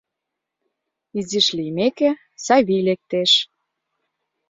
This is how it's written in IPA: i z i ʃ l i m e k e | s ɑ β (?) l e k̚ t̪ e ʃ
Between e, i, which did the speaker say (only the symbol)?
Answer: i